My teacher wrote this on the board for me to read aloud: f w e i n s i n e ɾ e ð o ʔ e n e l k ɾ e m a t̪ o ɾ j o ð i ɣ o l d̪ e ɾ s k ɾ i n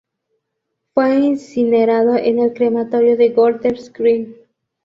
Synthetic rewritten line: f w e i n s i n e ɾ a ð o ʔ e n e l k ɾ e m a t̪ o ɾ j o ð e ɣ o l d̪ e ɾ s k ɾ i n